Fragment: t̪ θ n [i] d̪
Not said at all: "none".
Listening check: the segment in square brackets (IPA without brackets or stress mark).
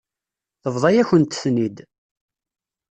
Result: i